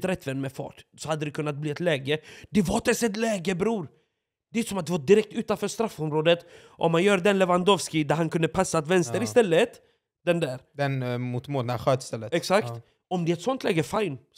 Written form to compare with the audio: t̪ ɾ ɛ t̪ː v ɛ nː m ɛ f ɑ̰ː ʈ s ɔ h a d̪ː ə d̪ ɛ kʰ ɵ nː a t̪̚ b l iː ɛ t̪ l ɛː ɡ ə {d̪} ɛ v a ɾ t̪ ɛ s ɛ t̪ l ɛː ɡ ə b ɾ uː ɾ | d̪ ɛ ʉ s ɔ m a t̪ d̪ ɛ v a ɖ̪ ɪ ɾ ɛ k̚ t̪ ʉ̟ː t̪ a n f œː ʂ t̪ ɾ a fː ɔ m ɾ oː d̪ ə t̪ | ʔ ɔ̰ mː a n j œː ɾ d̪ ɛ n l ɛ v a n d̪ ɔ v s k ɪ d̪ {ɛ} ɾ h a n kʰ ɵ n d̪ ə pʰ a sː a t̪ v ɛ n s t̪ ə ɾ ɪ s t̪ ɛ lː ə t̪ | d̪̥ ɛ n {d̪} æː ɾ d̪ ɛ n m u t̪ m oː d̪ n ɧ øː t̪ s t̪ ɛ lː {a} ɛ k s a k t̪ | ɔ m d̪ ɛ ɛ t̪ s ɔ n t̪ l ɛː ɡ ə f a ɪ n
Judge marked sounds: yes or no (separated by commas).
yes, no, yes, no